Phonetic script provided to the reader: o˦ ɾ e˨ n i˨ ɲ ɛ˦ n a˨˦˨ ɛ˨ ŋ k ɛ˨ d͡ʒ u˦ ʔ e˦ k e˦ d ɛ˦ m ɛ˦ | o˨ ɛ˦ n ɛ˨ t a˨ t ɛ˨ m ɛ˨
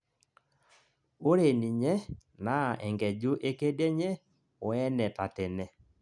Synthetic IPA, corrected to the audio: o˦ ɾ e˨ n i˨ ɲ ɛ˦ n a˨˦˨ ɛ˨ ŋ ɡ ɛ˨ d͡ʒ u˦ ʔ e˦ k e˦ d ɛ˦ ɲ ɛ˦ | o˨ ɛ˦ n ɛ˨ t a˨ t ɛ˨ n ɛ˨